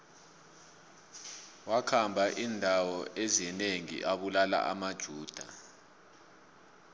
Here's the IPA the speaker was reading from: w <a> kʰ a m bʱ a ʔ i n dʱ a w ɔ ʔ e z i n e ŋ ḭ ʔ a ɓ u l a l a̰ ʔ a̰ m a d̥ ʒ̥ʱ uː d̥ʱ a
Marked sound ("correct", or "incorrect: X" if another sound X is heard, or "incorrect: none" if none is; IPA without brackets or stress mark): correct